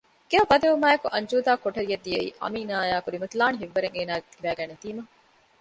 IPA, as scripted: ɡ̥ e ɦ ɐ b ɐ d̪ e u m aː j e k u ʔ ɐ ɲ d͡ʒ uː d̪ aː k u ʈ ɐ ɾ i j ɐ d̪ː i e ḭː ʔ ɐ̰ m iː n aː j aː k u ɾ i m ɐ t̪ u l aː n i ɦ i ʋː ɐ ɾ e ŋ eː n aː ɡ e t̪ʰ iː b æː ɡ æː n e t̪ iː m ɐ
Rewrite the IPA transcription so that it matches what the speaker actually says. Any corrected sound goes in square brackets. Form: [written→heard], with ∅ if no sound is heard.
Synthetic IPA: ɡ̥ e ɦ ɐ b ɐ d̪ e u m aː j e k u ʔ ɐ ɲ d͡ʒ uː d̪ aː k [u→o] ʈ ɐ ɾ i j ɐ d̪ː i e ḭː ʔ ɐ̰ m iː n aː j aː k u ɾ i m ɐ t̪ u l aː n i ɦ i ʋː ɐ ɾ e ŋ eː n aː ɡ e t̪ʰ [iː→i] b æː ɡ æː n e t̪ iː m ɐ